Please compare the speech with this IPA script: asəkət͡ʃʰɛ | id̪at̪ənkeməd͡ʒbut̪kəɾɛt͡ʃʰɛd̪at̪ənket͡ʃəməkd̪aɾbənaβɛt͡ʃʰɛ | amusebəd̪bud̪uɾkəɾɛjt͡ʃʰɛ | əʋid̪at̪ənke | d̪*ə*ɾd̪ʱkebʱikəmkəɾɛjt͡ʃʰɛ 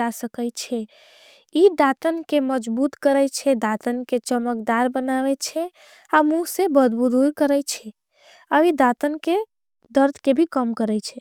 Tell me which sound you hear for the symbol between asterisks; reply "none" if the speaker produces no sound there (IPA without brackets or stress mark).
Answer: ə